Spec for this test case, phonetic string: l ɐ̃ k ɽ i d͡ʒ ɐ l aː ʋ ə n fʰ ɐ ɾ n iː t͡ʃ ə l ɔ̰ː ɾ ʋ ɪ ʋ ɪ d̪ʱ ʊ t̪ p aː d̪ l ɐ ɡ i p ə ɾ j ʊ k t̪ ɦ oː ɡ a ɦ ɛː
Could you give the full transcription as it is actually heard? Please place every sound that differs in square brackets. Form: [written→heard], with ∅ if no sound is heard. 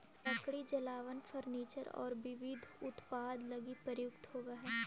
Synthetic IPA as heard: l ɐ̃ k ɽ i d͡ʒ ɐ l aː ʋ ə n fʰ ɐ ɾ n iː t͡ʃ ə [l→ɾ] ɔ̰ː ɾ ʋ ɪ ʋ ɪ d̪ʱ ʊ t̪ p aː d̪ l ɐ ɡ i p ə ɾ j ʊ k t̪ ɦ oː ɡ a ɦ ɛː